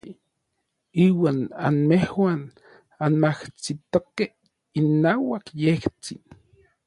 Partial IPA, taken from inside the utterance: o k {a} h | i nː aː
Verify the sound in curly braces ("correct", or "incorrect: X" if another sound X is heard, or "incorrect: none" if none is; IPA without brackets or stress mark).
incorrect: e